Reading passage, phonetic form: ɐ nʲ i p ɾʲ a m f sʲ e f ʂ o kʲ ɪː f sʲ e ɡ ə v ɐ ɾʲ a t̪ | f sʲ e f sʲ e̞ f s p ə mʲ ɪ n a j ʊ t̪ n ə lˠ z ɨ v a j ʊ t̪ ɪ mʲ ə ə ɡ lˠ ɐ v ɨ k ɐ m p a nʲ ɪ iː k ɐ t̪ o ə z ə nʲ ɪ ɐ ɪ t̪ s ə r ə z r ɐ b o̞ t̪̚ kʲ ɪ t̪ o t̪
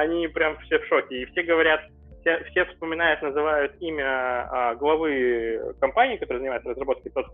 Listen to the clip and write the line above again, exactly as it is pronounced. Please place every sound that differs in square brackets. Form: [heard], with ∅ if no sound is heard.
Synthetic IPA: ɐ nʲ i p ɾʲ a m f sʲ e f ʂ o kʲ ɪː f sʲ e ɡ ə v ɐ ɾʲ a t̪ | f sʲ e f sʲ e̞ f s p ə mʲ ɪ n a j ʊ t̪ n ə [∅] z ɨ v a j ʊ t̪ [i] mʲ ə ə ɡ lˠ ɐ v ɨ k ɐ m p a nʲ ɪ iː k ɐ t̪ o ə z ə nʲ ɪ [a] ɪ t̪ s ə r ə z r ɐ b o̞ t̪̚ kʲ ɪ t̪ o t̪